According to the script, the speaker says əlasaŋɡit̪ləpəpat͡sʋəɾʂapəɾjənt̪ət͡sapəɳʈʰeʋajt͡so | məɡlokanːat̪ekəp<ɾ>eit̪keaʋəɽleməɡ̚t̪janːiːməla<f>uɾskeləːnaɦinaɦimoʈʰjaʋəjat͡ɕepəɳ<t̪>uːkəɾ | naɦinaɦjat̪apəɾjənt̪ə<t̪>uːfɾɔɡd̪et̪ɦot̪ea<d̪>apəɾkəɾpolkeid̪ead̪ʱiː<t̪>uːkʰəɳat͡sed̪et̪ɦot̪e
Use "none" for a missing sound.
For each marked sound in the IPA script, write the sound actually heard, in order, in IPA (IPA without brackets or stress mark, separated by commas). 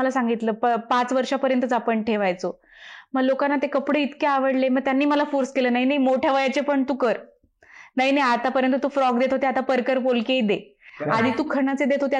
ɽ, f, t̪, t̪, t̪, t̪